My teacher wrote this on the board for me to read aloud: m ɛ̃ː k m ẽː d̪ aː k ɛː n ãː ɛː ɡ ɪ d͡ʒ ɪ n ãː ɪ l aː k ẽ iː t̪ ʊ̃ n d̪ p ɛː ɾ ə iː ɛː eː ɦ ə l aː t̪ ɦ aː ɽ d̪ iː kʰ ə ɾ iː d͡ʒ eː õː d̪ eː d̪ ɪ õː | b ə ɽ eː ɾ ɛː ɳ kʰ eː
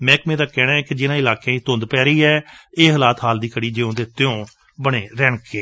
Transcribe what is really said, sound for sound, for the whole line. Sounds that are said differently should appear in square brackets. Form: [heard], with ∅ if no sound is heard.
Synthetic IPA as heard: m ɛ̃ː k m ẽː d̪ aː k ɛː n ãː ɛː [k] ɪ d͡ʒ ɪ n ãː ɪ l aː k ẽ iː t̪ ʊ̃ n d̪ p ɛː ɾ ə iː ɛː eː ɦ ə l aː t̪ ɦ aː [l] d̪ iː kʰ ə [ɽ] iː d͡ʒ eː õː d̪ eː [t̪] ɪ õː | b ə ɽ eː ɾ ɛː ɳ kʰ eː